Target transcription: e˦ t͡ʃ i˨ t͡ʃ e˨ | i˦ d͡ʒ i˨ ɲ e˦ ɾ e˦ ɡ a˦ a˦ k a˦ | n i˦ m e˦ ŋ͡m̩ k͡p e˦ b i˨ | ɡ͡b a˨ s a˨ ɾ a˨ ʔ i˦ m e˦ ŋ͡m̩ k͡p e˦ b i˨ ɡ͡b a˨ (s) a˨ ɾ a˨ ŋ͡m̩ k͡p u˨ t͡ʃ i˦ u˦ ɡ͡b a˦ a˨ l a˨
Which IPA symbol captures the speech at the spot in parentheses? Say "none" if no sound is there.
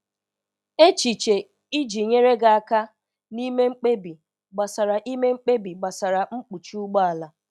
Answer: s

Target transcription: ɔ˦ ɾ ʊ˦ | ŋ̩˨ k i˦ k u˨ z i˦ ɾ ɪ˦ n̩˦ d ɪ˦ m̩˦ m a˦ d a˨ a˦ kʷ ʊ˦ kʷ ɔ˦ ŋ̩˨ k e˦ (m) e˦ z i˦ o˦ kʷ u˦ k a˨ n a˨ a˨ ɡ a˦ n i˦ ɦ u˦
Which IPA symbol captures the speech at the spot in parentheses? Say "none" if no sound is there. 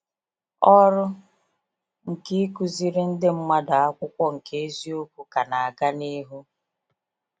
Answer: none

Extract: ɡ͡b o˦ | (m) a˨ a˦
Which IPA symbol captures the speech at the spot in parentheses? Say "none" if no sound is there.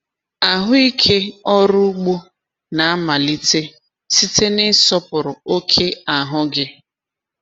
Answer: n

